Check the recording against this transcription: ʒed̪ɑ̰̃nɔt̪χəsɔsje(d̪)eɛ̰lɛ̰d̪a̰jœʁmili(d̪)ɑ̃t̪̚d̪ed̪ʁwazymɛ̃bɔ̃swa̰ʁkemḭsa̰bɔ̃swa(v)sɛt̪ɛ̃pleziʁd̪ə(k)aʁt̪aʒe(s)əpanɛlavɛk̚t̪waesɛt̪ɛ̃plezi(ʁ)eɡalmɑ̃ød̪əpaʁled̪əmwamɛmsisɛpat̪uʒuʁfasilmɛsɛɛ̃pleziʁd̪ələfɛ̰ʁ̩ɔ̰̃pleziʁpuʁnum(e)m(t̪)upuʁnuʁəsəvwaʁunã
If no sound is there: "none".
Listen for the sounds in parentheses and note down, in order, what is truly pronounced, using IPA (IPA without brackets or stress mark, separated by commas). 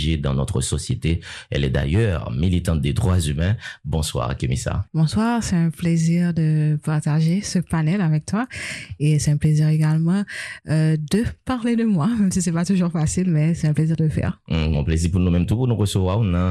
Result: t̪, t̪, ʁ, p, s, ʁ, ɛ, t̪